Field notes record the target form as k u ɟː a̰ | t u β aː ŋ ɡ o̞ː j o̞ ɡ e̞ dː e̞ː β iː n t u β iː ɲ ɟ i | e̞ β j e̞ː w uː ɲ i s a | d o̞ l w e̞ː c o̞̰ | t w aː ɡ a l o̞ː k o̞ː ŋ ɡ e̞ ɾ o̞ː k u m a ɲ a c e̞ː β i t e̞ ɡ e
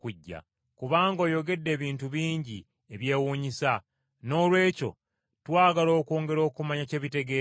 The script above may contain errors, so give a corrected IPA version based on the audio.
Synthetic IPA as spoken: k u ɟː a̰ | k u β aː ŋ ɡ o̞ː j o̞ ɡ e̞ dː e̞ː β iː n t u β iː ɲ ɟ i | e̞ β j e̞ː w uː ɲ i s a | n o̞ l w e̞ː c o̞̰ | t w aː ɡ a l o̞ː k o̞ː ŋ ɡ e̞ ɾ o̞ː k u m a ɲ a c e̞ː β i t e̞ ɡ e